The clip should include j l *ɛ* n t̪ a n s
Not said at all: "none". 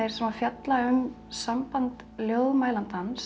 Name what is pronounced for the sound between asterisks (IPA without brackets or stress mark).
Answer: a